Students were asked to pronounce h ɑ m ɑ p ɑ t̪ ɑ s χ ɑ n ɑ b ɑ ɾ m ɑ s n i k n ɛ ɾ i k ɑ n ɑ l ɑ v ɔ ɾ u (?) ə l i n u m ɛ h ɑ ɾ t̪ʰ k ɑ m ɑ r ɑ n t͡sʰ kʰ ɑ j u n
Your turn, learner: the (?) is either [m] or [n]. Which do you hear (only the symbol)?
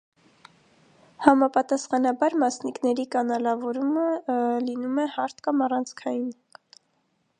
m